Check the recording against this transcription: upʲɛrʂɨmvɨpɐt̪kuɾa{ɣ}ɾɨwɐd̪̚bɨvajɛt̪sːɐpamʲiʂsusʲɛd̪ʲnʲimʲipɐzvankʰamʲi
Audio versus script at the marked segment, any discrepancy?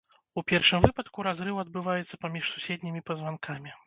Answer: yes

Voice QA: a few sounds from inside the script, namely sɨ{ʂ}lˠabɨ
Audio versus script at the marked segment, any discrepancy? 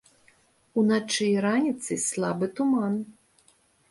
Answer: yes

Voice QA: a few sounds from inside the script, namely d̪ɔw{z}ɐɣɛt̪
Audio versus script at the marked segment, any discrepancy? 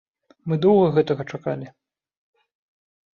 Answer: yes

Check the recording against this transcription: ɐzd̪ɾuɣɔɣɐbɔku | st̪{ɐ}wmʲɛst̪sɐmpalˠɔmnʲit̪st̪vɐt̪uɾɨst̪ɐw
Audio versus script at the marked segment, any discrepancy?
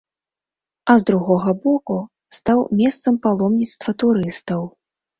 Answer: yes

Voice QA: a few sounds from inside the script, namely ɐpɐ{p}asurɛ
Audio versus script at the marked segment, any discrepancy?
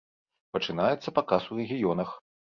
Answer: yes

